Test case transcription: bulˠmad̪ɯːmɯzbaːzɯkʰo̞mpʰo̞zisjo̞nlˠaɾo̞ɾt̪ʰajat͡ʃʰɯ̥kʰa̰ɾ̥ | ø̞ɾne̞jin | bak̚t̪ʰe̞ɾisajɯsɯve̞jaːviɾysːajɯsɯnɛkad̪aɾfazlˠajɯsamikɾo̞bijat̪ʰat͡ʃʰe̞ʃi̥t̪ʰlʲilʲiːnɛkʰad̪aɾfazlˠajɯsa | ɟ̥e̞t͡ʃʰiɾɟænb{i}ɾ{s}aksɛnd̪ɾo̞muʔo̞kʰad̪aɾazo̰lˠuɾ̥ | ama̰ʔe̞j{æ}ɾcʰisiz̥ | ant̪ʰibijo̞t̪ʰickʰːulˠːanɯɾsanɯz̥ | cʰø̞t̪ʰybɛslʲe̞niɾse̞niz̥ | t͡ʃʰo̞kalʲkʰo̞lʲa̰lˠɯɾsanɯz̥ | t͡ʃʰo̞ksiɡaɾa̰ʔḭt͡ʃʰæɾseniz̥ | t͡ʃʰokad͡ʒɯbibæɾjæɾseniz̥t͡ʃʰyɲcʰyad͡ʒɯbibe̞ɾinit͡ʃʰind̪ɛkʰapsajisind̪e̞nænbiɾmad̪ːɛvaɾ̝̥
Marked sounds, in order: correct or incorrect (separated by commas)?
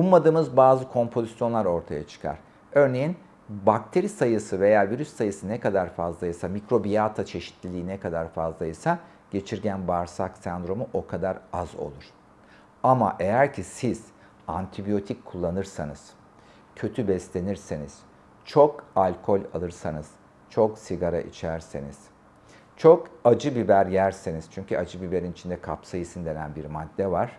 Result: incorrect, correct, correct